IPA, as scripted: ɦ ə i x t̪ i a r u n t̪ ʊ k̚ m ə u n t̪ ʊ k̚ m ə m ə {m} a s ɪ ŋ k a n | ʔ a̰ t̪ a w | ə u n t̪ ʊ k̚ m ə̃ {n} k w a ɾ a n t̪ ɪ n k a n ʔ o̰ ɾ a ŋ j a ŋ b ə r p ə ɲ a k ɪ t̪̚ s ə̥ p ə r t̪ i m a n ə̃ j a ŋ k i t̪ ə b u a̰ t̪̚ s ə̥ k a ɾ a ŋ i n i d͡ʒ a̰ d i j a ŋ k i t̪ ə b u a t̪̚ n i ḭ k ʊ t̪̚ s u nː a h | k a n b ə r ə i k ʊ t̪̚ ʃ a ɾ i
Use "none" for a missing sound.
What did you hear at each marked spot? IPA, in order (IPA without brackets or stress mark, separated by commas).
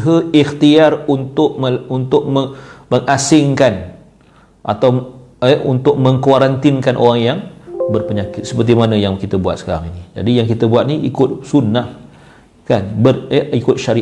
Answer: ŋ, ŋ